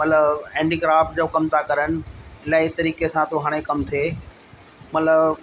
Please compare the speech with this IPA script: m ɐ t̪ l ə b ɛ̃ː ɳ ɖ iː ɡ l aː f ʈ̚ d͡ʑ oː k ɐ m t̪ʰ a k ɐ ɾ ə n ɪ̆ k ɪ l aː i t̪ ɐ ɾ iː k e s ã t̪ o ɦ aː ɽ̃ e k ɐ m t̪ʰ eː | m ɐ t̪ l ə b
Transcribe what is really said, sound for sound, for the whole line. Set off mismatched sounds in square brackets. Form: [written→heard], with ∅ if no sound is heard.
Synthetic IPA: m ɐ t̪ l ə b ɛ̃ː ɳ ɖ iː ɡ [l→ɾ] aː f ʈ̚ d͡ʑ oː k ɐ m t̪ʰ a k ɐ ɾ ə n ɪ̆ [k→∅] ɪ l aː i t̪ ɐ ɾ iː k e s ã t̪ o ɦ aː ɽ̃ e k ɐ m t̪ʰ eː | m ɐ t̪ l ə b